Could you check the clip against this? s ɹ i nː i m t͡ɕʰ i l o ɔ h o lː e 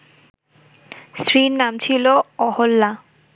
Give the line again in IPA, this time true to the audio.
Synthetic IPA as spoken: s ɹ i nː a m t͡ɕʰ i l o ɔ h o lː a